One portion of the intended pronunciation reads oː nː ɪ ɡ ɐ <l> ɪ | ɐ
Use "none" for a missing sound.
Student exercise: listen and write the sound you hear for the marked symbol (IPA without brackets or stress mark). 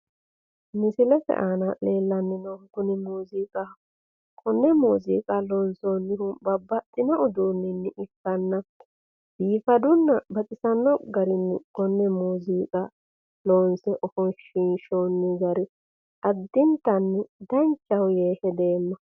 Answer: ɾ